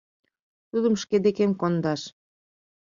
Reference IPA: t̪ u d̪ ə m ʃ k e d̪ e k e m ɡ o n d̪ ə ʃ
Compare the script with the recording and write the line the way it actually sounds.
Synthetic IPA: t̪ u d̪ ə m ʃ k e d̪ e k e m k o n d̪ ɑ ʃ